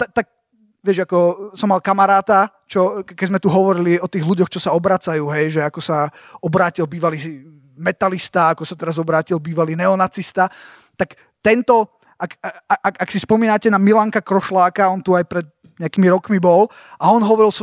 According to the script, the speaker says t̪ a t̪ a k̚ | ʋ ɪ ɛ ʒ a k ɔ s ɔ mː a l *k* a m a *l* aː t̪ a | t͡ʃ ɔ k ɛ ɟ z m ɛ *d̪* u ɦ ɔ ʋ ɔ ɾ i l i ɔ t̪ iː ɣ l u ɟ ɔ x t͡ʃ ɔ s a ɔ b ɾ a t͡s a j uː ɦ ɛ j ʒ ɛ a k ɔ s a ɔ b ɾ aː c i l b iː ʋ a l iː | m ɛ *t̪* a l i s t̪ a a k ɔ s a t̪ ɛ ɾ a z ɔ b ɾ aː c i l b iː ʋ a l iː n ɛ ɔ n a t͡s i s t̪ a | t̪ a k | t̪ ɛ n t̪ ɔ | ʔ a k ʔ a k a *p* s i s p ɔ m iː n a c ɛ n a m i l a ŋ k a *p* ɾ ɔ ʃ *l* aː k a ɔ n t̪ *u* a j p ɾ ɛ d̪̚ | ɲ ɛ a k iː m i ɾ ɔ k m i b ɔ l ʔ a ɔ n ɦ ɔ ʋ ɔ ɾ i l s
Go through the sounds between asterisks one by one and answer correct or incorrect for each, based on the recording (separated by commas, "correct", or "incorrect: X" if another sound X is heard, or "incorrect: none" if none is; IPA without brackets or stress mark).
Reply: correct, incorrect: ɾ, incorrect: t̪, correct, incorrect: k, incorrect: k, correct, correct